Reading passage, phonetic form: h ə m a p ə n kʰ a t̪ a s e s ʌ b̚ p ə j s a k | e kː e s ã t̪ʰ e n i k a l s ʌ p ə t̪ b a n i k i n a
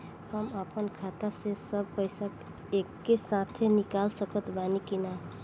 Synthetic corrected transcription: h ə m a p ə n kʰ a t̪ a s e s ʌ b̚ p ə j s a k | e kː e s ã t̪ʰ e n i k a l s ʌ k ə t̪ b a n i k i n a